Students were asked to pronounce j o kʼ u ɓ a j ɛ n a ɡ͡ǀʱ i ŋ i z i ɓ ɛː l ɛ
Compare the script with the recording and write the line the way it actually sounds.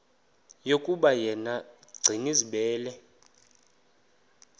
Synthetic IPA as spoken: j o kʼ u ɓ a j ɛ n a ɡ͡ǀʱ i ŋ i z i ɓ ɛː l ɛ